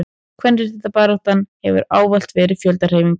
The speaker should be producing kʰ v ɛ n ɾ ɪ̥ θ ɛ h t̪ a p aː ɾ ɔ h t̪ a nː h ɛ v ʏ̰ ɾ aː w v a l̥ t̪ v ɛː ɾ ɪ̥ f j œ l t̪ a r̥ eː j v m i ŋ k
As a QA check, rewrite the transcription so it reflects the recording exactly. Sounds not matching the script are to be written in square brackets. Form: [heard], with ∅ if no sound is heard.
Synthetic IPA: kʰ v ɛ n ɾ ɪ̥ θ ɛ h t̪ a p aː ɾ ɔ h t̪ a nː h ɛ v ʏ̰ ɾ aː w v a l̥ t̪ v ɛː ɾ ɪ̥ f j œ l t̪ a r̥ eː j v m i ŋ k

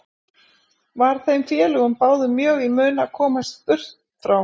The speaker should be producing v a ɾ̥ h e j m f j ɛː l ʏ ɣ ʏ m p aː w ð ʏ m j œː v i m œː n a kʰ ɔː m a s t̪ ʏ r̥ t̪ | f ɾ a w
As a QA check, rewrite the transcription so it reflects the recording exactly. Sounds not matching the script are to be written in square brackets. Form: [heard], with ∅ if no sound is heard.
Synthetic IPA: v a ɾ̥ [θ] e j m f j ɛː l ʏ ɣ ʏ m p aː w ð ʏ m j œː [ɣ] i m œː n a kʰ ɔː m a s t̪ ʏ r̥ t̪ | f ɾ a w

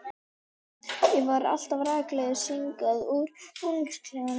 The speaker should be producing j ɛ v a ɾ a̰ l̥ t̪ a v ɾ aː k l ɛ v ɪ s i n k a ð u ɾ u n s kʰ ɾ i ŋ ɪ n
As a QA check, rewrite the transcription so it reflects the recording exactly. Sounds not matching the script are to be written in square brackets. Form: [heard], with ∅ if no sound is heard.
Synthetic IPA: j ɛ v a ɾ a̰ l̥ t̪ a v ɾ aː k l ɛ [ð] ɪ s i [ŋ] k a ð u ɾ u n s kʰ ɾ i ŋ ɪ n

